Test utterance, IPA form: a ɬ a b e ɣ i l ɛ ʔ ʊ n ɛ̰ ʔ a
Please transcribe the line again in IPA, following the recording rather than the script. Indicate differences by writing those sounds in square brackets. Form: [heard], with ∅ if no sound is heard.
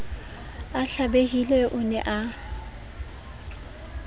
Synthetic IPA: a ɬ a b e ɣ i l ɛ ʔ ʊ n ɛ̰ ʔ a